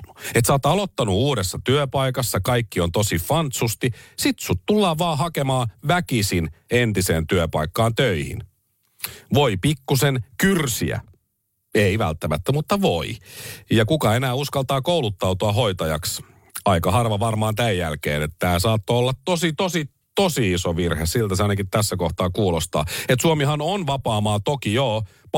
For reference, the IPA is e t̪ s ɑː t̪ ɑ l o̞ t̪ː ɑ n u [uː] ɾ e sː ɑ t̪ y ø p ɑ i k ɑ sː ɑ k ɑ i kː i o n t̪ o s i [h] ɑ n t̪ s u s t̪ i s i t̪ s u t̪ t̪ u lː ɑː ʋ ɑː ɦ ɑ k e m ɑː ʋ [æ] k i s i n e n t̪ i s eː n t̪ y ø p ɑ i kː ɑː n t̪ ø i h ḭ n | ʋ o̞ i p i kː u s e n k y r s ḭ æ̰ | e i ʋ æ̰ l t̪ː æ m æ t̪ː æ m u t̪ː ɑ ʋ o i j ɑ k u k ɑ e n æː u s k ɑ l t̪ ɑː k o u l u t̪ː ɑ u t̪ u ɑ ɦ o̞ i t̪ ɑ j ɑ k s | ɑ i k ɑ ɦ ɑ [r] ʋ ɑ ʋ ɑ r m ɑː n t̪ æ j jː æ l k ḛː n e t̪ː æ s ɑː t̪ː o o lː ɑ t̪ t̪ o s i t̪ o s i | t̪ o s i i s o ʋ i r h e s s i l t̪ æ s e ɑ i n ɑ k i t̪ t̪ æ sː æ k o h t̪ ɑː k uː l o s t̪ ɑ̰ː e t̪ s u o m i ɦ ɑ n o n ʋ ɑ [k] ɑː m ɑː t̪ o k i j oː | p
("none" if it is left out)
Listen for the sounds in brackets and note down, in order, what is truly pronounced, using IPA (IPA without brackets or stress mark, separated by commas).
uː, f, æ, r, p